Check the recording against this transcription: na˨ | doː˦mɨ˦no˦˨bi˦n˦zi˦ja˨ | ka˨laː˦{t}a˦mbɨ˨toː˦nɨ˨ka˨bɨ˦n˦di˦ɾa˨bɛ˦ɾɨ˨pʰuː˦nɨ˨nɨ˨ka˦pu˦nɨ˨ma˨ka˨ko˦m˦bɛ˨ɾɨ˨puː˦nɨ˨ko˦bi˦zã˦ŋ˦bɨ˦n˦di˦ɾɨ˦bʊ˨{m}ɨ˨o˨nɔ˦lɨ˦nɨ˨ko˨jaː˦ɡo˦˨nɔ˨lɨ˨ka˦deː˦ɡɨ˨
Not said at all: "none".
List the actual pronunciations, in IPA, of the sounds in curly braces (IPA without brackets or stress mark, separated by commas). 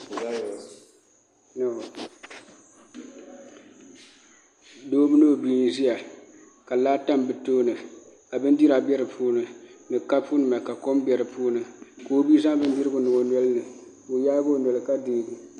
t, n